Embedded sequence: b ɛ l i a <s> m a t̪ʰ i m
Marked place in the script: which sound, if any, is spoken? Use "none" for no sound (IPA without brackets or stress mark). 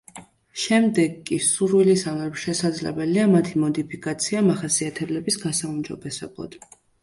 none